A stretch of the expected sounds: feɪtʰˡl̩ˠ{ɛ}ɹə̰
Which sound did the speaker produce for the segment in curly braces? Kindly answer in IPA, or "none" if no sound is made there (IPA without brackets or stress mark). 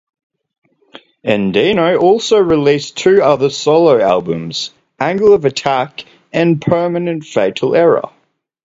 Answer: ɛ